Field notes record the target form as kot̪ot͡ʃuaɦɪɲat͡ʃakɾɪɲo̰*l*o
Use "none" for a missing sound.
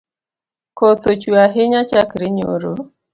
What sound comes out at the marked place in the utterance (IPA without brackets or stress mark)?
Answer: ɾ